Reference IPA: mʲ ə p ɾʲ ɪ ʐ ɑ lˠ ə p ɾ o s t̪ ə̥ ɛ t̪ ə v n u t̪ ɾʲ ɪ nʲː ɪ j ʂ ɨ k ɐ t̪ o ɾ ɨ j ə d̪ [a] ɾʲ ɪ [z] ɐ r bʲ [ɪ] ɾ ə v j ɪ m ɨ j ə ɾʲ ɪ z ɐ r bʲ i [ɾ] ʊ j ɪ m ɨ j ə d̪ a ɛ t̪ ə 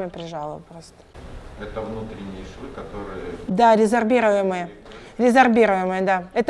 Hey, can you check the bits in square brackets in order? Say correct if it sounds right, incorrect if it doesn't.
correct, correct, incorrect, correct

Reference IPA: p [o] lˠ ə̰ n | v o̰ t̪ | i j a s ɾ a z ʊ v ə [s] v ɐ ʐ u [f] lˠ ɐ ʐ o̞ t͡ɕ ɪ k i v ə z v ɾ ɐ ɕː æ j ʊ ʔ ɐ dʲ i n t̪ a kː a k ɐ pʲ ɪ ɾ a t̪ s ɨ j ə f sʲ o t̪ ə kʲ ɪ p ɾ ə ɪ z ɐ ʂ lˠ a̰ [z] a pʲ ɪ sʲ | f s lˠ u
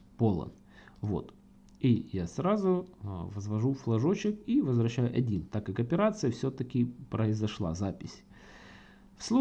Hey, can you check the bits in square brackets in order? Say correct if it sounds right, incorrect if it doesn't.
correct, incorrect, correct, correct

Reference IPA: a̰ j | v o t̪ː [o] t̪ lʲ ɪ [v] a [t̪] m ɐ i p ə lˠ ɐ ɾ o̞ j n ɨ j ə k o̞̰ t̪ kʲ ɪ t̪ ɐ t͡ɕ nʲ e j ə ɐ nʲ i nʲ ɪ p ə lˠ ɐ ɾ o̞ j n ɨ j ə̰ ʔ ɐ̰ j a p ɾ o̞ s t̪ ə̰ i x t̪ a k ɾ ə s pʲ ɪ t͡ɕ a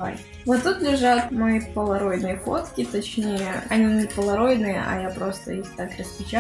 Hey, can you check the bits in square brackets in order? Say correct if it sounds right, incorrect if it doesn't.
incorrect, incorrect, correct

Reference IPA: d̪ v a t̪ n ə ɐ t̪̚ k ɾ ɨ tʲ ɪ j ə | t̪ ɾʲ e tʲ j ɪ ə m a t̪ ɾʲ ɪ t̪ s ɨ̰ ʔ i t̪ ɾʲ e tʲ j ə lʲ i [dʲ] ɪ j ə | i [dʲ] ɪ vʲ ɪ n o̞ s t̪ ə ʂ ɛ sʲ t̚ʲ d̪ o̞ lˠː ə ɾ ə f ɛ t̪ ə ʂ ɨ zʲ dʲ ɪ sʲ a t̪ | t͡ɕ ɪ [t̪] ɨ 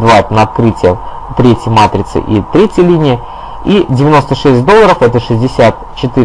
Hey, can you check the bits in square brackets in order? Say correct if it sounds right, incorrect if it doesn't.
incorrect, correct, correct

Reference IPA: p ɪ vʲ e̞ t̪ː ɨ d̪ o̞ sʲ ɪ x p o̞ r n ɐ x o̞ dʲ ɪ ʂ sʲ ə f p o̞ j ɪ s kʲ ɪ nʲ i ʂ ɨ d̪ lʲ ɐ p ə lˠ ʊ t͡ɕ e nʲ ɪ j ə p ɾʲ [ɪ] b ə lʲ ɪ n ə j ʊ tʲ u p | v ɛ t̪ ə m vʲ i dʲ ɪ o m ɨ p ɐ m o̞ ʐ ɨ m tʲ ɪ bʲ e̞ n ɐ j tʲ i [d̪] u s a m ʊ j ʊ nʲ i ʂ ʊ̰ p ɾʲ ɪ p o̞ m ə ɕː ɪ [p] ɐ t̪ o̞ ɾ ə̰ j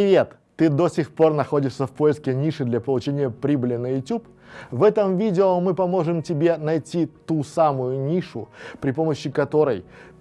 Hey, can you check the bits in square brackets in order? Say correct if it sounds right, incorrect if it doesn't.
incorrect, incorrect, incorrect

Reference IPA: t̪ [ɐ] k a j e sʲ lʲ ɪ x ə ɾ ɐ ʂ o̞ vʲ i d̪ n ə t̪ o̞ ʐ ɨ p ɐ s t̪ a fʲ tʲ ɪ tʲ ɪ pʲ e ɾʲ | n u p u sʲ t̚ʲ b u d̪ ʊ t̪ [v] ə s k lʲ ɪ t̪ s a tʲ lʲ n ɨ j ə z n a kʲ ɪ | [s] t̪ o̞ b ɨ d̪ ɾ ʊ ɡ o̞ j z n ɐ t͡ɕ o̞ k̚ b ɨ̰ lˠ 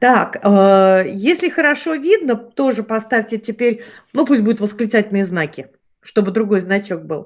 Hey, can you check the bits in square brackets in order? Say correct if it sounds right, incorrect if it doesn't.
incorrect, correct, incorrect

